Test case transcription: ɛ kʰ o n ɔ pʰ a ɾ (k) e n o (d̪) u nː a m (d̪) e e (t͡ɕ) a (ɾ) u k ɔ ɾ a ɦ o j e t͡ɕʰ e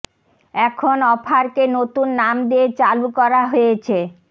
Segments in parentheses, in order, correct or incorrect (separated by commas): correct, incorrect, correct, correct, incorrect